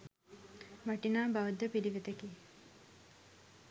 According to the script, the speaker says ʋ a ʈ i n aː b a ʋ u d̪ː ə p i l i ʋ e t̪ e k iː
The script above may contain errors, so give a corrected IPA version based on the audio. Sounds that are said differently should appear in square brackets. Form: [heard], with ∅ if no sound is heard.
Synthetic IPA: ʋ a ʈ i n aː b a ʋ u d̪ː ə p i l i ʋ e t̪ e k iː